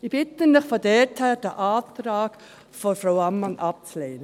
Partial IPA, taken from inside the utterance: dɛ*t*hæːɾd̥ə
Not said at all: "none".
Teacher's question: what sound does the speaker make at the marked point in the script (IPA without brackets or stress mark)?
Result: t